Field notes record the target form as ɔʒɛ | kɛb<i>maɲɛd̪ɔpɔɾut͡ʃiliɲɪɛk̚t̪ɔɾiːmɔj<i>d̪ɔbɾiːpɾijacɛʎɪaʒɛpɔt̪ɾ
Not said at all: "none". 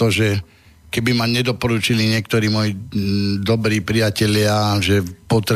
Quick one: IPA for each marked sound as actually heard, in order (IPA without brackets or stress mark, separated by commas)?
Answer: i, i